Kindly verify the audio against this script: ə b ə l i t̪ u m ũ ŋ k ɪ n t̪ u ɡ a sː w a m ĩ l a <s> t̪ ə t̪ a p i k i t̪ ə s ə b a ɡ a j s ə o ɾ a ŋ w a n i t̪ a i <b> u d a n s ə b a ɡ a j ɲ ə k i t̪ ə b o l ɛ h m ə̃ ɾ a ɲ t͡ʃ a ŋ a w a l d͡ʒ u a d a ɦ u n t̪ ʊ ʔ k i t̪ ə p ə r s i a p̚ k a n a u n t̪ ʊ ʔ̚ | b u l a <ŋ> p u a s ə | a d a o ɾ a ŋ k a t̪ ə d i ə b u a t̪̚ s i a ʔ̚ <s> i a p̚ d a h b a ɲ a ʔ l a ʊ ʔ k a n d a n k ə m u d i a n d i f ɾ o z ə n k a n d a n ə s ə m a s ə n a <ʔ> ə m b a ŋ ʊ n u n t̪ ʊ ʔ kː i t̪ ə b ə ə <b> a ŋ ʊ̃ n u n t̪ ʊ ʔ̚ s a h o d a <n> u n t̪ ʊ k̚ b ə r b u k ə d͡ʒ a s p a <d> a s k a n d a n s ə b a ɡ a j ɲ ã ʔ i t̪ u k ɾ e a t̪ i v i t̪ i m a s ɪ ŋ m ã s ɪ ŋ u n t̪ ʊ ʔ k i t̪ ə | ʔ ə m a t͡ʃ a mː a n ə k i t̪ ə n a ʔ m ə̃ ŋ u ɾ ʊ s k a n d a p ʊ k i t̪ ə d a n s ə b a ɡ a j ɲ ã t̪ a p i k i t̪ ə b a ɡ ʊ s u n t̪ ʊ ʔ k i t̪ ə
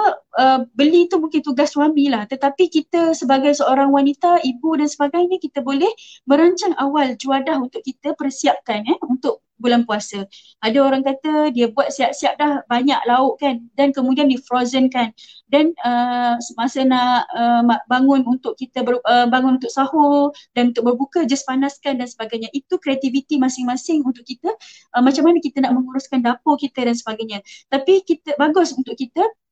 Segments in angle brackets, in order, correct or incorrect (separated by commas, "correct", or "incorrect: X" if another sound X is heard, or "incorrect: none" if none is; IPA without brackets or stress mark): incorrect: h, correct, incorrect: n, correct, correct, correct, correct, incorrect: n